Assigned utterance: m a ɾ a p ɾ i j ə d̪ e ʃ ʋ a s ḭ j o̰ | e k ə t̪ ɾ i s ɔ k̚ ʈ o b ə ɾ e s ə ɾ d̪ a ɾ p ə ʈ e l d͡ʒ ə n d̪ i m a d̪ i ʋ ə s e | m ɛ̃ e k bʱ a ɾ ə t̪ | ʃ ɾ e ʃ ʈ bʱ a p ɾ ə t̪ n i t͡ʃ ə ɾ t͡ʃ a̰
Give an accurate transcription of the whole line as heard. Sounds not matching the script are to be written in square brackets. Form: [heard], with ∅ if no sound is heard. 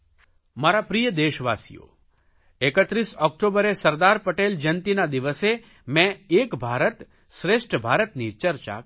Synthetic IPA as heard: m a ɾ a p ɾ i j ə d̪ e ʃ ʋ a s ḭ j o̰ | e k ə t̪ ɾ i s ɔ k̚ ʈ o b ə ɾ e s ə ɾ d̪ a ɾ p ə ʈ e l d͡ʒ ə n [t̪] i [n] a d̪ i ʋ ə s e | m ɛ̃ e k bʱ a ɾ ə t̪ | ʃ ɾ e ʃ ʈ bʱ a [∅] ɾ ə t̪ n i t͡ʃ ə ɾ t͡ʃ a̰